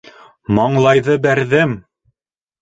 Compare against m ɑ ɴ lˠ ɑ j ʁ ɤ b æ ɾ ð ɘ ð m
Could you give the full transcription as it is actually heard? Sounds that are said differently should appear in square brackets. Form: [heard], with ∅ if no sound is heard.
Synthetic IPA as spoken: m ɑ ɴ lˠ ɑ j [ð] ɤ b æ ɾ ð ɘ [∅] m